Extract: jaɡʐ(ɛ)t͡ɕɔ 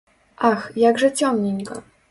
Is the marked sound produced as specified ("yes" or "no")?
yes